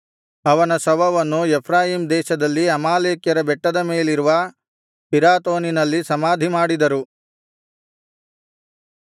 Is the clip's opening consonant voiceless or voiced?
voiced